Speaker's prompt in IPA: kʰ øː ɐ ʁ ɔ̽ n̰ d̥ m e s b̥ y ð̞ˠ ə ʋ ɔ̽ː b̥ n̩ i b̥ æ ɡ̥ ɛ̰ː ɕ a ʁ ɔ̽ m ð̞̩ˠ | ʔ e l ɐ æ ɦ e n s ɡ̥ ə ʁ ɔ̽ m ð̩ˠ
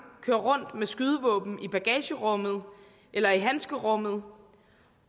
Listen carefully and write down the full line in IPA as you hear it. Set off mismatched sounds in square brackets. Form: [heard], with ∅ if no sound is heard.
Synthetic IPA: kʰ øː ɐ ʁ ɔ̽ n̰ d̥ m e s [ɡ̥] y ð̞ˠ ə ʋ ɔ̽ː b̥ n̩ i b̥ æ ɡ̥ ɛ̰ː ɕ [ə] ʁ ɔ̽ m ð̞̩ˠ | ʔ e l ɐ [i] ɦ [æ] n s ɡ̥ ə ʁ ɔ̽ m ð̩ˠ